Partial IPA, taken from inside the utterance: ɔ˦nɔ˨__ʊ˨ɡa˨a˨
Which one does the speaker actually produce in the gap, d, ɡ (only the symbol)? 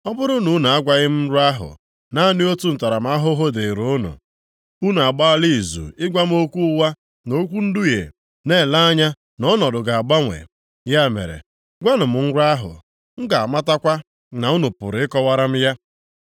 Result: d